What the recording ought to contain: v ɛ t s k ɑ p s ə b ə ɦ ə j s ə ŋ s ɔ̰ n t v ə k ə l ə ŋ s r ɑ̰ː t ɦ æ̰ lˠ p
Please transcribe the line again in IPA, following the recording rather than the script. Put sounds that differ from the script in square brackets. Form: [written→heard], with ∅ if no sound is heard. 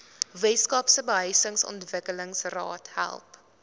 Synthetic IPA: v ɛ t s k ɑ p s ə b ə ɦ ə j s ə ŋ s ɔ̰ n t v ə k ə l ə ŋ s r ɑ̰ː t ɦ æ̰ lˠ p